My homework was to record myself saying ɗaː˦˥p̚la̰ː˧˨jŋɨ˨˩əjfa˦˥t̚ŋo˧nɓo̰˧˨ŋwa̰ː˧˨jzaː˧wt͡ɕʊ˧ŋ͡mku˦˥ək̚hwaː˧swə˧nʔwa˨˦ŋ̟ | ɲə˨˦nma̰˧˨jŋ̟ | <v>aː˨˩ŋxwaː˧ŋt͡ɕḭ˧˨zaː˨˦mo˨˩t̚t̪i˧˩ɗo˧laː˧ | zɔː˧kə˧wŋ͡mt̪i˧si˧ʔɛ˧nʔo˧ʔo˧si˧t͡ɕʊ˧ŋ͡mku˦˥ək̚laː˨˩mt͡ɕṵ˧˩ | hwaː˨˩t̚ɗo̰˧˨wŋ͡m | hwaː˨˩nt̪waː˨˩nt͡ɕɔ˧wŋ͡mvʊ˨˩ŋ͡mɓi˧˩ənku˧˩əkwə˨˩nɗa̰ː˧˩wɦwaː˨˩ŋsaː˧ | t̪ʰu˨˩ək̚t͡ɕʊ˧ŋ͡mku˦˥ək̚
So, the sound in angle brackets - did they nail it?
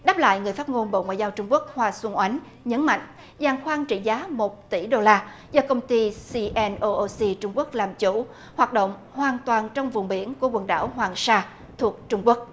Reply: no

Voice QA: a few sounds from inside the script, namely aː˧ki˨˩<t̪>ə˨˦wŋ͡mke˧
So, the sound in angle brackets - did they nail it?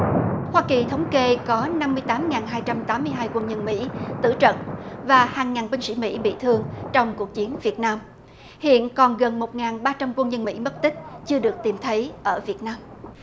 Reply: no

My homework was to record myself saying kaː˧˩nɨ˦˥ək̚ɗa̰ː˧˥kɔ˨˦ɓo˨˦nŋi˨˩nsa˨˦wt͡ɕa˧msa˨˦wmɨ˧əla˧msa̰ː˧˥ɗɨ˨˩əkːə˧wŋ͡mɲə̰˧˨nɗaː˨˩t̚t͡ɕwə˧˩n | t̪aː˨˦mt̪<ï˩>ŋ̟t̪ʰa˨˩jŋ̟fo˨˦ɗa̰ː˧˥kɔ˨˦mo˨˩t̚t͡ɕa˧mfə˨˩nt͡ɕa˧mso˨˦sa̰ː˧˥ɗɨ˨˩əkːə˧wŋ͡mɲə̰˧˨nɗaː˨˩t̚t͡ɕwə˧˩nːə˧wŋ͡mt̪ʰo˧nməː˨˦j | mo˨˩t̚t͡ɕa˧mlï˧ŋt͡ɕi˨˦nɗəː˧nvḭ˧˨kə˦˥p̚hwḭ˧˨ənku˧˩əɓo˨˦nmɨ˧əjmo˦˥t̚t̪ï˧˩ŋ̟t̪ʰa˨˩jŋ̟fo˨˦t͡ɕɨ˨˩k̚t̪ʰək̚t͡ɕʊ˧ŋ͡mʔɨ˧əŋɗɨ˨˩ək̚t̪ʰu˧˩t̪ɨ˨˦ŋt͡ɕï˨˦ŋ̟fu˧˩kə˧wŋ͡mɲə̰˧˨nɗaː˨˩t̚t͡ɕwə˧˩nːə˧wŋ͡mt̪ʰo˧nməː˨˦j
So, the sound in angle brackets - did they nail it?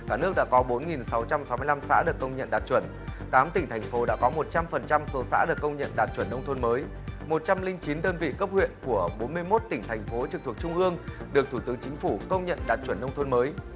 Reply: yes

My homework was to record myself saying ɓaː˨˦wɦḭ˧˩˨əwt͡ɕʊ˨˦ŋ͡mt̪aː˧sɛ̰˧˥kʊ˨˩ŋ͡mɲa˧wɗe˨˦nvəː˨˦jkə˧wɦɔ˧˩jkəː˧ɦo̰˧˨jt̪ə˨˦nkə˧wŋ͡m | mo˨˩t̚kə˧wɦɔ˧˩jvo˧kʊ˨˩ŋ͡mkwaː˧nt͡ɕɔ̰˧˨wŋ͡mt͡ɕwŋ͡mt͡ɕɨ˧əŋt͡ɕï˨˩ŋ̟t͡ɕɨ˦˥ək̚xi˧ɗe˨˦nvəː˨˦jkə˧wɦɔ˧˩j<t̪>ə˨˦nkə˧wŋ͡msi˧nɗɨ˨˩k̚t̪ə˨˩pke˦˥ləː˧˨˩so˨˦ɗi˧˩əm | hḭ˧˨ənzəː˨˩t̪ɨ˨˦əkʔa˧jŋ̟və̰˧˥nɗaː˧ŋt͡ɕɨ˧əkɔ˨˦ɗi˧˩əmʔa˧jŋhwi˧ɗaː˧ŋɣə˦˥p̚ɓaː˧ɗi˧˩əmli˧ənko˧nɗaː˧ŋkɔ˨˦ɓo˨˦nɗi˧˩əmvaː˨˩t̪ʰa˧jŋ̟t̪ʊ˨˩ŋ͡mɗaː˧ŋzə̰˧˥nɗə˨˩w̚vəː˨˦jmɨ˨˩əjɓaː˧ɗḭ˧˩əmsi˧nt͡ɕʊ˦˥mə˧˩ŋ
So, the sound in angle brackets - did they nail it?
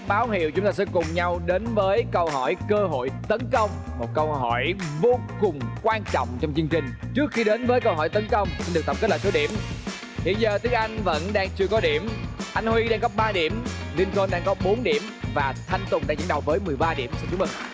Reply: yes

